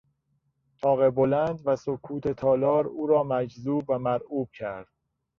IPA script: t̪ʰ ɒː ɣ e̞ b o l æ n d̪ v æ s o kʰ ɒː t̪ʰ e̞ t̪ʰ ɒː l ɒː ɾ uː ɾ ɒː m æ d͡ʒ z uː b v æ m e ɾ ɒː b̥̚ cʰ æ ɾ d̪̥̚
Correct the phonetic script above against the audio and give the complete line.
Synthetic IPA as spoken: t̪ʰ ɒː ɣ e̞ b o l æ n d̪ v æ s o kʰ uː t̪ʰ e̞ t̪ʰ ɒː l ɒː ɾ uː ɾ ɒː m æ d͡ʒ z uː b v æ m æ ɾ uː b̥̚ cʰ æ ɾ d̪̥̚

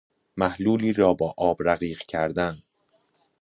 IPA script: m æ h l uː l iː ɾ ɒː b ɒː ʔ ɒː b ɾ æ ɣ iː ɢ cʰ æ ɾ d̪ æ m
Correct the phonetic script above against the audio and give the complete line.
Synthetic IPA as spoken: m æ h l uː l iː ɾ ɒː b ɒː ʔ ɒː b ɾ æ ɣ iː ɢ cʰ æ ɾ d̪ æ n

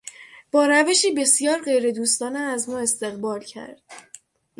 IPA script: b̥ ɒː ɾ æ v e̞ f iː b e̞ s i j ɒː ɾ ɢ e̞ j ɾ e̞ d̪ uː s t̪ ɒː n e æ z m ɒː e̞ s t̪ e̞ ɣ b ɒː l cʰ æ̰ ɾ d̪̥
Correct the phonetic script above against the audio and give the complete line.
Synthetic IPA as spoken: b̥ ɒː ɾ æ v e̞ ʃ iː b e̞ s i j ɒː ɾ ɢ e̞ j ɾ e̞ d̪ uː s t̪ ɒː n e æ z m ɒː e̞ s t̪ e̞ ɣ b ɒː l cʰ æ̰ ɾ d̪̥

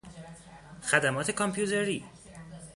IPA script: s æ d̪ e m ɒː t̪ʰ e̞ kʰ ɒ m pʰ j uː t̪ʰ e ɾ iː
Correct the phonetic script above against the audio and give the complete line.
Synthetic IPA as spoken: x æ d̪ æ m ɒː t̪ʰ e̞ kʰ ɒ m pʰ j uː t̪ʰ e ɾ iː

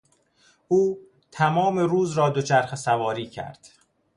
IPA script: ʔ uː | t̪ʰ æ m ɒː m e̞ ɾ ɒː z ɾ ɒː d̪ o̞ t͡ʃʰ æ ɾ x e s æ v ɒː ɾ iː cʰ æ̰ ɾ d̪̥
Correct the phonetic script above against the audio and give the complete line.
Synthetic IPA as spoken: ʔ uː | t̪ʰ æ m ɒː m e̞ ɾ uː z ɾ ɒː d̪ o̞ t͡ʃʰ æ ɾ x e s æ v ɒː ɾ iː cʰ æ̰ ɾ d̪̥

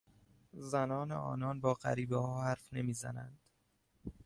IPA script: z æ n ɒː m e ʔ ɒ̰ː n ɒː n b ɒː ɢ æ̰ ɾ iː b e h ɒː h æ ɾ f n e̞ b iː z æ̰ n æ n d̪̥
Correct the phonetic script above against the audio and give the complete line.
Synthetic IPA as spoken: z æ n ɒː n e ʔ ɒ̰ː n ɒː n b ɒː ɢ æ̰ ɾ iː b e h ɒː h æ ɾ f n e̞ m iː z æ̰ n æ n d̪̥

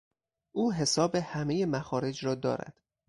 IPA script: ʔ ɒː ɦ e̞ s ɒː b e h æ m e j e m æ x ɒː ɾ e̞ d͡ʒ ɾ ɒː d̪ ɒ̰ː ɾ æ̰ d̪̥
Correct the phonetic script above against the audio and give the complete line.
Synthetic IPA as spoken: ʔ uː ɦ e̞ s ɒː b e h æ m e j e m æ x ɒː ɾ e̞ d͡ʒ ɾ ɒː d̪ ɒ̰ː ɾ æ̰ d̪̥

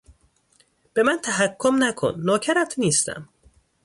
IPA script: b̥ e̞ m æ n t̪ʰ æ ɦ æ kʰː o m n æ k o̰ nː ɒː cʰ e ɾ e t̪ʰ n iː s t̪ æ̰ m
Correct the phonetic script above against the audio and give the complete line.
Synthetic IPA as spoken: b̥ e̞ m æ n t̪ʰ æ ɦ æ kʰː o m n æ kʰ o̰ nː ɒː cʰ æ ɾ æ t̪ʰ n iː s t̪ æ̰ m

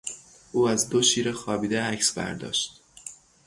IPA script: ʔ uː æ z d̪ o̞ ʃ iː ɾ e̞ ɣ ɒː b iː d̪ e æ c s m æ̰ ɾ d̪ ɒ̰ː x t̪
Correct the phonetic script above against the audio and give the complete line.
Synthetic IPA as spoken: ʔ uː æ z d̪ o̞ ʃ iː ɾ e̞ x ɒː b iː d̪ e æ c s b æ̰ ɾ d̪ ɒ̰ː ʃ t̪

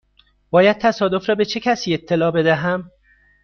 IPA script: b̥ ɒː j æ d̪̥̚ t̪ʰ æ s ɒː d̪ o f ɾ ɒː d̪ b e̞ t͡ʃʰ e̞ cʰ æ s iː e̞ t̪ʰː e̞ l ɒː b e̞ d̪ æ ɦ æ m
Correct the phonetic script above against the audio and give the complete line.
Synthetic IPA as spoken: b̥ ɒː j æ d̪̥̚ t̪ʰ æ s ɒː d̪ o f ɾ ɒː b e̞ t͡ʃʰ e̞ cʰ æ s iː e̞ t̪ʰː e̞ l ɒː b e̞ d̪ æ ɦ æ m

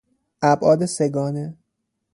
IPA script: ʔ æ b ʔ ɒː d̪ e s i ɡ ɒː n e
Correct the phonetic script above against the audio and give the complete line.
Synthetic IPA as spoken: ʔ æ b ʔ ɒː d̪ e s e ɡ ɒː n e

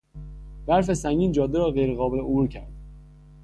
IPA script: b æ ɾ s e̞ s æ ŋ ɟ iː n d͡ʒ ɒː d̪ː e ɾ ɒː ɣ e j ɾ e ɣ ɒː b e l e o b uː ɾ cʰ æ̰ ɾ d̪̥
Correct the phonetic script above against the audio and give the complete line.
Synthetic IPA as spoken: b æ ɾ f e̞ s æ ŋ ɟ iː n d͡ʒ ɒː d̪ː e ɾ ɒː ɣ e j ɾ e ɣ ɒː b e l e o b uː ɾ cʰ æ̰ ɾ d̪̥

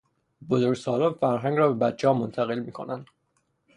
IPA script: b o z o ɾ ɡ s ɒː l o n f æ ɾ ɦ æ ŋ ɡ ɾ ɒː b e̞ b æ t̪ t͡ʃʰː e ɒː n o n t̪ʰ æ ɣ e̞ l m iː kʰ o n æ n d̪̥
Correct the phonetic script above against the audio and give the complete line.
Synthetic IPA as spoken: b o z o ɾ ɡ s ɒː l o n f æ ɾ ɦ æ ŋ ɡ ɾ ɒː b e̞ b æ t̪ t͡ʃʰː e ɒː m o n t̪ʰ æ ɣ e̞ l m iː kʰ o n æ n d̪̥

